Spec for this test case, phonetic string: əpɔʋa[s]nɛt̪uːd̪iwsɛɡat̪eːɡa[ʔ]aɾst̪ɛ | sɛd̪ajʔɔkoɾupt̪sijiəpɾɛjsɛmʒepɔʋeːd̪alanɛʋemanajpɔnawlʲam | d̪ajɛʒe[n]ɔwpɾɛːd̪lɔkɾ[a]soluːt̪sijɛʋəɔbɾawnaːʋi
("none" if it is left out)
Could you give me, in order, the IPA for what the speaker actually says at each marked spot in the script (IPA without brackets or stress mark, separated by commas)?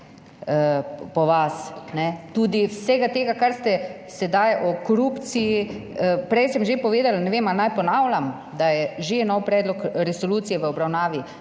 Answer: s, k, n, ɛ